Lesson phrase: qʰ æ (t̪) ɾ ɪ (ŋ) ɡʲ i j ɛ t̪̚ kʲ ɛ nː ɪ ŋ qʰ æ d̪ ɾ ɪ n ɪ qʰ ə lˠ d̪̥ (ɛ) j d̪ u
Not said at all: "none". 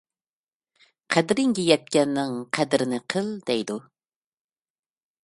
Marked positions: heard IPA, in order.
d̪, ŋ, ɛ

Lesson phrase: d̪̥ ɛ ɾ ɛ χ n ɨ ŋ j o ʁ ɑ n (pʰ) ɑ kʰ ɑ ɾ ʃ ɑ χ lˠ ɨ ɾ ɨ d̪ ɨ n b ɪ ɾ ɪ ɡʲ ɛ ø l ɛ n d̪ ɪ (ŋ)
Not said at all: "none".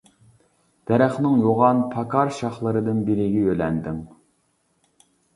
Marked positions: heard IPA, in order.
pʰ, ŋ

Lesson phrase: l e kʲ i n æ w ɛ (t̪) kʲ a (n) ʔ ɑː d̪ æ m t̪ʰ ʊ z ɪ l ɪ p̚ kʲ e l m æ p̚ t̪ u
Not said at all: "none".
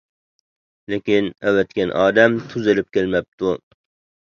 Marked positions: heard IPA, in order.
t̪, n

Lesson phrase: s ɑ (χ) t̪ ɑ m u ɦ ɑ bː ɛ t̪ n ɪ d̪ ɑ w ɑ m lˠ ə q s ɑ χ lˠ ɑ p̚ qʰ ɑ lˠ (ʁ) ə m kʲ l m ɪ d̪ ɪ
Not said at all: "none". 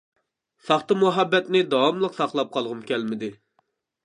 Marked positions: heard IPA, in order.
χ, ʁ

